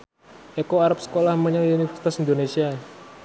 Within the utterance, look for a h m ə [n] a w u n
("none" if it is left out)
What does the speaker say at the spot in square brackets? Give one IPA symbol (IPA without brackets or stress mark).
ɲ